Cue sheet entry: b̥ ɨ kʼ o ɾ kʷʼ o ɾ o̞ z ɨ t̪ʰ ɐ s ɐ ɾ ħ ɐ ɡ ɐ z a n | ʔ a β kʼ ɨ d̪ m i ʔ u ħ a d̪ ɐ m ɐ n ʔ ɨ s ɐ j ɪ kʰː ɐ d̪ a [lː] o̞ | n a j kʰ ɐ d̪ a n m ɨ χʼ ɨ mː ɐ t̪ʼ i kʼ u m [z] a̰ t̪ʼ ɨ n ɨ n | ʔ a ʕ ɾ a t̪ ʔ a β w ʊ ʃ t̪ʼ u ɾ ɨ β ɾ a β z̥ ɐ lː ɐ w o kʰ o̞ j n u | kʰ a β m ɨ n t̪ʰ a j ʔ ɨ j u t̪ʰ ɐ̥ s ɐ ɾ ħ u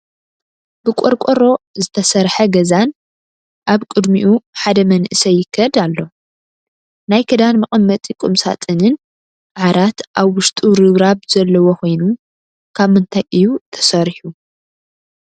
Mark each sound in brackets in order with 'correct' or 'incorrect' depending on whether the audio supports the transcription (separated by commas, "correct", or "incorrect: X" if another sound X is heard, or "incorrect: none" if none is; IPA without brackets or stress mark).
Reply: correct, incorrect: s